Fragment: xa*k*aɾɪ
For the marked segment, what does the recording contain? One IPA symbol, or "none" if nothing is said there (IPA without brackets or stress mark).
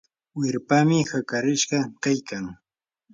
k